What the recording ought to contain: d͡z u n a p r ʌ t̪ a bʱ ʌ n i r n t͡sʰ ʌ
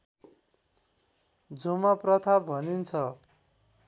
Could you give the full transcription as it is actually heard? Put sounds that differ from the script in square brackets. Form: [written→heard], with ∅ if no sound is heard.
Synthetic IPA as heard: d͡z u [n→m] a p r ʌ [t̪→t̪ʰ] a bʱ ʌ n i [r→∅] n t͡sʰ ʌ